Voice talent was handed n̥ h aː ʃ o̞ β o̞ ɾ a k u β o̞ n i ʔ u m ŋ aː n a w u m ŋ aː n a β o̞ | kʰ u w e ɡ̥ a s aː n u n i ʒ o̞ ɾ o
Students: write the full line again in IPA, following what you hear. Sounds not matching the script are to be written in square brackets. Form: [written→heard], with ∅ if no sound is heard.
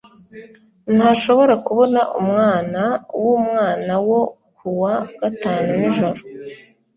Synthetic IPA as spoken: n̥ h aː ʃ o̞ β o̞ ɾ a k u β o̞ n [i→a] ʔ u m ŋ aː n a w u m ŋ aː n a [β→w] o̞ | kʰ u w [e→a] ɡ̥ a [s→t] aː n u n i ʒ o̞ ɾ o